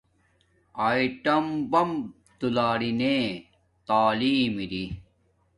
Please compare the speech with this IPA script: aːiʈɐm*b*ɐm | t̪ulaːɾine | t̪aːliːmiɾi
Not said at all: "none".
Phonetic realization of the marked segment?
b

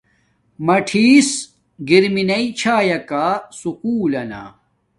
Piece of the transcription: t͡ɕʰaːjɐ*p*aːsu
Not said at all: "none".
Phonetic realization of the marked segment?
k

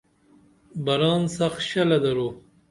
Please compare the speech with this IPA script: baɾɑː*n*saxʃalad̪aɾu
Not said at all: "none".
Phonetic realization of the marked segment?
n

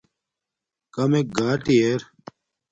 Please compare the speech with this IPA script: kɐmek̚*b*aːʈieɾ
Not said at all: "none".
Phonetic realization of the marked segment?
ɡ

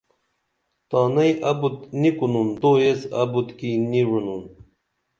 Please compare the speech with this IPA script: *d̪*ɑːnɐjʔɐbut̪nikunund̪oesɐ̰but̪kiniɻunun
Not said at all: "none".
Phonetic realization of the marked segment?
t̪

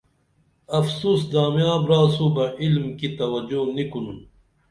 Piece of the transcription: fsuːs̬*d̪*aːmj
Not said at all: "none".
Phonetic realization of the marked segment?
d̪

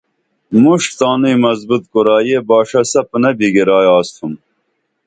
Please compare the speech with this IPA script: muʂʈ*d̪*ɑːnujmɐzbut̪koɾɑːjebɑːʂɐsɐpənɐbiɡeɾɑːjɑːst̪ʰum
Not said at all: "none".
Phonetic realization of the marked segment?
t̪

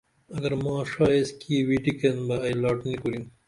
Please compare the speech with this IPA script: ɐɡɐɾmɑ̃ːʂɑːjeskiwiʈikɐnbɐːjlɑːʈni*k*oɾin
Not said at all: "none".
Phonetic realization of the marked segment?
k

